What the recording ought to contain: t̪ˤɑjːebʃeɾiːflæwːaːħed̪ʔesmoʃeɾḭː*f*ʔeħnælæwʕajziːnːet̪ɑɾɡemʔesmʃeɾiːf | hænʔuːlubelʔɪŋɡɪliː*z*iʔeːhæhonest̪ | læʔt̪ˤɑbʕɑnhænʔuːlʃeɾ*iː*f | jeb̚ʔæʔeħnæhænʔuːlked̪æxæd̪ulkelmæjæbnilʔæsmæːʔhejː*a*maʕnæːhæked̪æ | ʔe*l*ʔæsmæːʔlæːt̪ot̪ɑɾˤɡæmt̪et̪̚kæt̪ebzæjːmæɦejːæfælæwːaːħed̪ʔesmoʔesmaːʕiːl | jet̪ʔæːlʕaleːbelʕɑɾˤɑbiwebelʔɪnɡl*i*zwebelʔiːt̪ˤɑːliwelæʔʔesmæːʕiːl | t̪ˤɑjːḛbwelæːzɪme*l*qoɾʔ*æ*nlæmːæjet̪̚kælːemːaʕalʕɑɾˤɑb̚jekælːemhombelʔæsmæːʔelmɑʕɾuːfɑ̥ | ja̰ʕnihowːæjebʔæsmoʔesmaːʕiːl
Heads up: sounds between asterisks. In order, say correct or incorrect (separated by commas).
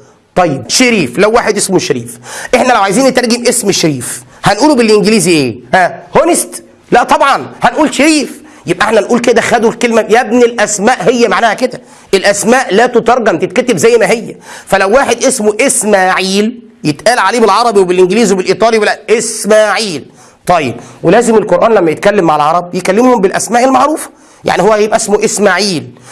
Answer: correct, correct, correct, incorrect, correct, incorrect, correct, incorrect